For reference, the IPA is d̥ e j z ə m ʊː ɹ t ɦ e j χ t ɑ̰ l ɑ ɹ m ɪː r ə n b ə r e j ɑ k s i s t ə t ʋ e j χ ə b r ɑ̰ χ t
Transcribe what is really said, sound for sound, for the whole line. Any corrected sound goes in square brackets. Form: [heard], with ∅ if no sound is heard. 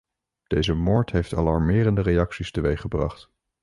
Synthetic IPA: d̥ e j z ə m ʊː ɹ t ɦ e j [f] t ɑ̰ l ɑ ɹ m ɪː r ə n [d] ə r e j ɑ k s i s t ə [∅] ʋ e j χ ə b r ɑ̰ χ t